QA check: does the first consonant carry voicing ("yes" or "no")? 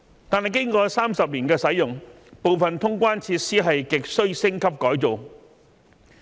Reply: no